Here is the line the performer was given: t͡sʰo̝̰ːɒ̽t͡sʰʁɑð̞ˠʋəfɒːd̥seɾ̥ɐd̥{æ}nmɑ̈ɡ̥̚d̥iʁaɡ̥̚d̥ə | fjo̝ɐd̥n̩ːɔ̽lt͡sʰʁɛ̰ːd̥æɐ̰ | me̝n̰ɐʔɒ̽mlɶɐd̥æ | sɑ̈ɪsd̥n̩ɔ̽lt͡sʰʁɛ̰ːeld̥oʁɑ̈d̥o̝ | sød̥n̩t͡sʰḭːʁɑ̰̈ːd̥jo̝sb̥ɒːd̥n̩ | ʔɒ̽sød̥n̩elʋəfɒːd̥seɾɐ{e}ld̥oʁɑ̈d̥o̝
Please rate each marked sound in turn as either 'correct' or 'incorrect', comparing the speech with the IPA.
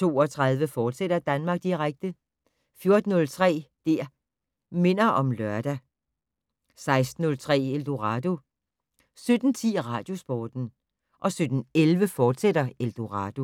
correct, correct

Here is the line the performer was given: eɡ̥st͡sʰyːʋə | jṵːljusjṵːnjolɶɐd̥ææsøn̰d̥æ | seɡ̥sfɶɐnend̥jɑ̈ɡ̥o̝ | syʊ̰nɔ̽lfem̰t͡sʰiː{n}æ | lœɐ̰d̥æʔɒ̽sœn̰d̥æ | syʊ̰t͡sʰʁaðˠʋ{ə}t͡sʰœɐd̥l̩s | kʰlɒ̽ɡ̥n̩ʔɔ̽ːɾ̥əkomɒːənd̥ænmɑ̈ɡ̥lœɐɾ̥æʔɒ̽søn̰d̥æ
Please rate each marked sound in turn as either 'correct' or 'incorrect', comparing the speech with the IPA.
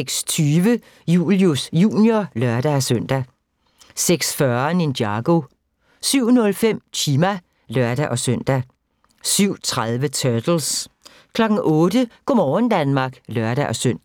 incorrect: m, correct

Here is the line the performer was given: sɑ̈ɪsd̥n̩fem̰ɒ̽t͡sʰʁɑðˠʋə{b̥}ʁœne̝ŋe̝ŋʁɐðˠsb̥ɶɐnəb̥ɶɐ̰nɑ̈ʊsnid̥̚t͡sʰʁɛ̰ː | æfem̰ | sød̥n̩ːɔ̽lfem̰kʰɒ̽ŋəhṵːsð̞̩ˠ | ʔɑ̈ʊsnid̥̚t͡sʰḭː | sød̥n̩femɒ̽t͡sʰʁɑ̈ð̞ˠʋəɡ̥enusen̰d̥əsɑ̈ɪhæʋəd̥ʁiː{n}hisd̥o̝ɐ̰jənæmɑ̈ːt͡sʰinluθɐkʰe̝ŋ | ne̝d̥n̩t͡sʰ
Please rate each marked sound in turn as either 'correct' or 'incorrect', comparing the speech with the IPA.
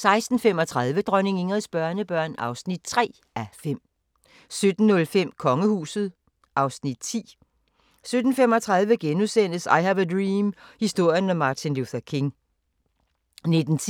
incorrect: d̥, incorrect: m

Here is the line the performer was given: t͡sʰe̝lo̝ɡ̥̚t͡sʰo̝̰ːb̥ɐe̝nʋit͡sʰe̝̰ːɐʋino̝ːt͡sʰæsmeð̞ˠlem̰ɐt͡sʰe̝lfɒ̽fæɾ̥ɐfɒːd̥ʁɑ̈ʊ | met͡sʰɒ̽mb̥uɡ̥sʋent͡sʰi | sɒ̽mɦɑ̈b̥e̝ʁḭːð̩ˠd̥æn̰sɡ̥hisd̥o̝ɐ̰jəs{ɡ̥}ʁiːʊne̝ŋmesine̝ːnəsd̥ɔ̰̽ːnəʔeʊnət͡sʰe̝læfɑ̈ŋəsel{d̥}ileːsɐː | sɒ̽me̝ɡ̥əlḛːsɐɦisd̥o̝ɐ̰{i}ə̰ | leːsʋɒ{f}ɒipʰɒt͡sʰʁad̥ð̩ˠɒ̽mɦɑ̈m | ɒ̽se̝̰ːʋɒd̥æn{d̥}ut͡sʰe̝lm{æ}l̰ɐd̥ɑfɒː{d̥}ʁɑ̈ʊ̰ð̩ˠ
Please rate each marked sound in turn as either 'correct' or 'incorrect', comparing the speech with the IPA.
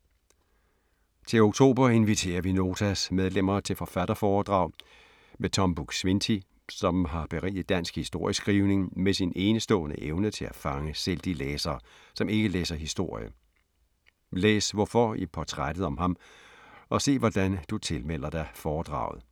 correct, correct, incorrect: j, correct, correct, incorrect: e, correct

